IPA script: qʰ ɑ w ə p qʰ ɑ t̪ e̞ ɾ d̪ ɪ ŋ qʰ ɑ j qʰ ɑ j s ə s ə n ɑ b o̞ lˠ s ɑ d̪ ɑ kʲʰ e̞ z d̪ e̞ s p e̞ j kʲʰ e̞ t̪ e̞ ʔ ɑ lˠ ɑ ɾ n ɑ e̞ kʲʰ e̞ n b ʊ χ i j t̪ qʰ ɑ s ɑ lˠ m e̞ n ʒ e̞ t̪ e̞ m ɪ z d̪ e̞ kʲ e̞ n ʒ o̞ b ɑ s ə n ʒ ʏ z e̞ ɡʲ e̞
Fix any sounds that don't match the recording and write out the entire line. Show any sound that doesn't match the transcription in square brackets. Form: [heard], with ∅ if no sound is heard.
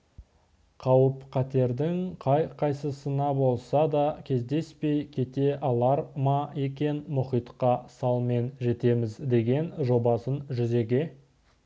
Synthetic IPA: qʰ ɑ w ə p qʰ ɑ t̪ e̞ ɾ d̪ ɪ ŋ qʰ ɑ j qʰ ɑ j s ə s ə n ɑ b o̞ lˠ s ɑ d̪ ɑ kʲʰ e̞ z d̪ e̞ s p e̞ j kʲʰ e̞ t̪ e̞ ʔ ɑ lˠ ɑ ɾ [m] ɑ e̞ [kʲ] e̞ n [m] ʊ χ i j t̪ [q] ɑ s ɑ lˠ m e̞ n ʒ e̞ t̪ e̞ m ɪ z d̪ e̞ [ɡʲ] e̞ n ʒ o̞ b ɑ s ə n ʒ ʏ z e̞ ɡʲ e̞